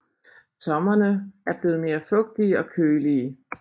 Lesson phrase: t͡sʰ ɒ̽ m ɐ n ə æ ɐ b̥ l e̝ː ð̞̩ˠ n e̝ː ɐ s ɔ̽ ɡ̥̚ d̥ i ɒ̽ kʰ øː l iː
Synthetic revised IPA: t͡sʰ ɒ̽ m ɐ n ə æ ɐ b̥ l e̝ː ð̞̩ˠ m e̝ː ɐ f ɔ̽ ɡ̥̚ d̥ i ɒ̽ kʰ øː l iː